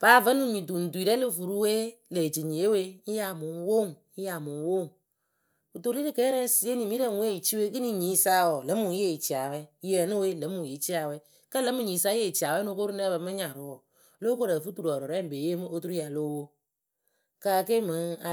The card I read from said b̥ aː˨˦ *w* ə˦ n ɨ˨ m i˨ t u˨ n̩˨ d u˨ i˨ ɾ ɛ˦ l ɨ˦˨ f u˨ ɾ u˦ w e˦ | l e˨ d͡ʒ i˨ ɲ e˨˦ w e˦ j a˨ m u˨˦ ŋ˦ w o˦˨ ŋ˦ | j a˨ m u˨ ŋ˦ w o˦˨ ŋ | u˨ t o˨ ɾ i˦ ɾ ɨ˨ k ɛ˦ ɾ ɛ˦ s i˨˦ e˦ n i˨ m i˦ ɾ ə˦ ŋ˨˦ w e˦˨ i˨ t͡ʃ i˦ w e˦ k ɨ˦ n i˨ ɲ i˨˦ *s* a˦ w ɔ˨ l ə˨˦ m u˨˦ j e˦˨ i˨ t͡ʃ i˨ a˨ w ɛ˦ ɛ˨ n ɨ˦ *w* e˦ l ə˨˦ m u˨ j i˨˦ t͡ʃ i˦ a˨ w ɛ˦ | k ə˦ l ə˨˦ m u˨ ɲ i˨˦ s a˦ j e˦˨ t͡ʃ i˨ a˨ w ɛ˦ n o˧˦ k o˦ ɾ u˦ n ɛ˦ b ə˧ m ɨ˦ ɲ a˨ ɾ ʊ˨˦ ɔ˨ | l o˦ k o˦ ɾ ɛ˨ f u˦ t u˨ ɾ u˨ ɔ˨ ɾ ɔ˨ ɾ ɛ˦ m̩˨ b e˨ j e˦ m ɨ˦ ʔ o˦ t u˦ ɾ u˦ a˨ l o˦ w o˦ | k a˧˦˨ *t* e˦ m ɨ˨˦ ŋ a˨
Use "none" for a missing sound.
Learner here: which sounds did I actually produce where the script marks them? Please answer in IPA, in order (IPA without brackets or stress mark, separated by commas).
v, s, w, k